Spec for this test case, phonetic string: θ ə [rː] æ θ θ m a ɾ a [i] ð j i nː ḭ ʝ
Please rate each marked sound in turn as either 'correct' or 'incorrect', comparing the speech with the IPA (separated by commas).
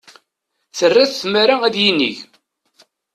correct, incorrect